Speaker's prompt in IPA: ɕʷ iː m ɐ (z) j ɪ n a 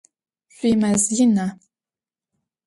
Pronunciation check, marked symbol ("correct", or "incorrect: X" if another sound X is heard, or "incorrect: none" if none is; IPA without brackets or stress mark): correct